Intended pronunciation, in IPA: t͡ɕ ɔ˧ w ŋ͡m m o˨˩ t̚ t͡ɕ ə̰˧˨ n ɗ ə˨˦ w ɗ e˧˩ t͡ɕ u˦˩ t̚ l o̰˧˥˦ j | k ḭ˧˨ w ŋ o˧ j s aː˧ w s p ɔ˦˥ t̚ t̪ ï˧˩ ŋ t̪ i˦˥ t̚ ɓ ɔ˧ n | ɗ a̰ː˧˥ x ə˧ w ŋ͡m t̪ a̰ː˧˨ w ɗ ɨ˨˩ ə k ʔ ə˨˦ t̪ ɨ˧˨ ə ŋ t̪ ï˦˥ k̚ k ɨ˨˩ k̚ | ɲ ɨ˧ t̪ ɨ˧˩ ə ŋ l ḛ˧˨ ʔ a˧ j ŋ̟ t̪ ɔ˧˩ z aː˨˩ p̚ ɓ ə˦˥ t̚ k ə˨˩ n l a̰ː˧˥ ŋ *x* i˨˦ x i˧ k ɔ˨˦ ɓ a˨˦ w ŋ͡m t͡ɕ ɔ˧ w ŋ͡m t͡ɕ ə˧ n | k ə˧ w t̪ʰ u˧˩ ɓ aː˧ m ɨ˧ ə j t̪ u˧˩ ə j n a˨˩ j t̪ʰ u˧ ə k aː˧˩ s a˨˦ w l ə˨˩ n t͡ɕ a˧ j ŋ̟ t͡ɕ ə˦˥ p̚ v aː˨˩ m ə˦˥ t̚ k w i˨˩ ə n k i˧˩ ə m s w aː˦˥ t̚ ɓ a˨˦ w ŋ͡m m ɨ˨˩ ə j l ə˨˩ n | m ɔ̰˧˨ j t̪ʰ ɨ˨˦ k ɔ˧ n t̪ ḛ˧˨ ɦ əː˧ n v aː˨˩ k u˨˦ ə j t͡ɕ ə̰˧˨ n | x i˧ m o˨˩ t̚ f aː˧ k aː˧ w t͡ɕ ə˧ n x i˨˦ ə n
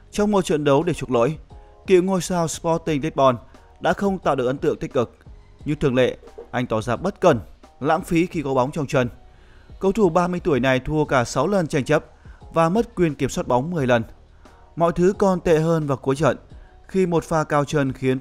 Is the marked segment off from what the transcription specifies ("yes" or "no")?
yes